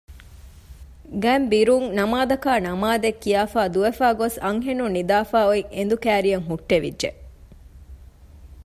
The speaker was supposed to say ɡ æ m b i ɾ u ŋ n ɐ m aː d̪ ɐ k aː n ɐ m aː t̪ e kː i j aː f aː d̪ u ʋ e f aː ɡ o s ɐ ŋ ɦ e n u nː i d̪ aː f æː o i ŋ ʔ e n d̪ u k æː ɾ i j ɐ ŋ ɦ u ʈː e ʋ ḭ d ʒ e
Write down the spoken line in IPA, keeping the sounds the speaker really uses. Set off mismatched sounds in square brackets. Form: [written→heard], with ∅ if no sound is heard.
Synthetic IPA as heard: ɡ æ m b i ɾ u ŋ n ɐ m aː d̪ ɐ k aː n ɐ m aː [t̪→d̪] e kː i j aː f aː d̪ u ʋ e f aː ɡ o s ɐ ŋ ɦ e n u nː i d̪ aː f [æː→aː] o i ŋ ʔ e n d̪ u k æː ɾ i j ɐ ŋ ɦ u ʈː e ʋ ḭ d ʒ e

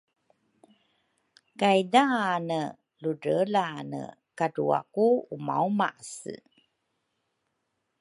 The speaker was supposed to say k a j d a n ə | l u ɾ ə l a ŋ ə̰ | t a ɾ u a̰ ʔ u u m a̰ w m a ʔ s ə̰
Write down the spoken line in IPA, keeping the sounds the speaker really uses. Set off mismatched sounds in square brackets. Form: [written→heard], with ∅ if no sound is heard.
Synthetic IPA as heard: k a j d a n ə | l u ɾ ə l a [ŋ→n] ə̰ | [t→k] a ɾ u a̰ [ʔ→k] u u m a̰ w m a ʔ s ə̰

